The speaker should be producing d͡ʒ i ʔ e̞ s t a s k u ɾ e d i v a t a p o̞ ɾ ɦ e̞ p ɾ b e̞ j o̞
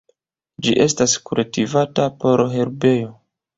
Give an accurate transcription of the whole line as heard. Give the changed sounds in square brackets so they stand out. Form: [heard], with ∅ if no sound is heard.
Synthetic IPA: d͡ʒ i ʔ e̞ s t a s k u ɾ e [t] i v a t a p o̞ ɾ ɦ e̞ [∅] ɾ b e̞ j o̞